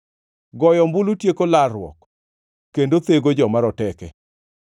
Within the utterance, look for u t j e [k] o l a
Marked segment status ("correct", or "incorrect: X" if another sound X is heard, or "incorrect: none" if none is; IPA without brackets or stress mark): correct